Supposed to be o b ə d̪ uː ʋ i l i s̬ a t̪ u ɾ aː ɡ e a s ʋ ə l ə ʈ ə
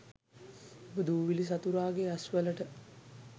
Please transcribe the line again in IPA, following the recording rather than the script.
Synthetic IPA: o b ə d̪ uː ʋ i l i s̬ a t̪ u ɾ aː ɡ e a s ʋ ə l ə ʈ ə

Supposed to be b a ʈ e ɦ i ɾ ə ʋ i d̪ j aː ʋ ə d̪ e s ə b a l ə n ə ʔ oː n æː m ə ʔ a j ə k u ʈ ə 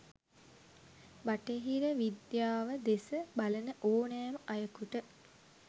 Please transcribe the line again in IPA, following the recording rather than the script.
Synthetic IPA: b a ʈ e ɦ i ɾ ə ʋ i d̪ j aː ʋ ə d̪ e s ə b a l ə n ə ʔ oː n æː m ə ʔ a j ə k u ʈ ə

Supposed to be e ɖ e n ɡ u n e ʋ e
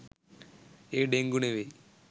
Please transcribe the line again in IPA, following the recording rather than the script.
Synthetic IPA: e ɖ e ŋ ɡ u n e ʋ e

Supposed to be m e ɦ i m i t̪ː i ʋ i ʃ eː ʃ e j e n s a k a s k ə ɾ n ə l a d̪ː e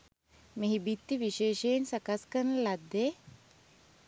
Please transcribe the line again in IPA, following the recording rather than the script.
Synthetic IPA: m e ɦ i b i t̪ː i ʋ i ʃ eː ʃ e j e n s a k a s k ə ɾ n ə l a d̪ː e

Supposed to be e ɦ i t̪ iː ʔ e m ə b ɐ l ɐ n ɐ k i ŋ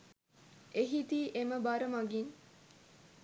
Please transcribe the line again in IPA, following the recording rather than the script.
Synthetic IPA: e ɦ i t̪ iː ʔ e m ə b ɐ ɾ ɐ m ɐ ɡ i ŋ

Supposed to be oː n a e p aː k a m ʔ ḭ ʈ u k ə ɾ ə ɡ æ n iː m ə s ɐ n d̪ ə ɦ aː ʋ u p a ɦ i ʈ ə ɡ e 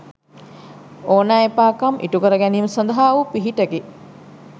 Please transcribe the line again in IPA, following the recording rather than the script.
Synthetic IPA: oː n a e p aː k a m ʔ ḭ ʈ u k ə ɾ ə ɡ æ n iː m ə s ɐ n d̪ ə ɦ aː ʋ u p i ɦ i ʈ ə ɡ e

